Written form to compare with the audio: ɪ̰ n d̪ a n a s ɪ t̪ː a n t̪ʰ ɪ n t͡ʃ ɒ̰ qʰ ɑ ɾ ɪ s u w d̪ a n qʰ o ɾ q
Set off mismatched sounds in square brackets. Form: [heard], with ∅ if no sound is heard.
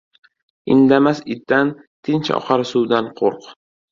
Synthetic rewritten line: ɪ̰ n d̪ a [m] a s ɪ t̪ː a n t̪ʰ ɪ n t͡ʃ ɒ̰ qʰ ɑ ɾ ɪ s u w d̪ a n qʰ o ɾ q